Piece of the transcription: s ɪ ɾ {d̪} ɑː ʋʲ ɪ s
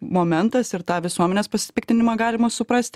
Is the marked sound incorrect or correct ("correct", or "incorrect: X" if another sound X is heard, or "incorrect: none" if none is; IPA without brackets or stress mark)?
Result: incorrect: t̪